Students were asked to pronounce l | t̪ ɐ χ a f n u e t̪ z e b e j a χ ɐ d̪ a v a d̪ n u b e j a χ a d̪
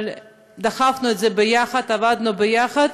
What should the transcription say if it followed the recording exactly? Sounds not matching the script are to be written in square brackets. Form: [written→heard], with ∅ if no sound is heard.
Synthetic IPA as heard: l | [t̪→d̪] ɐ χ a f n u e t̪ z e b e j a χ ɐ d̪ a v a d̪ n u b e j a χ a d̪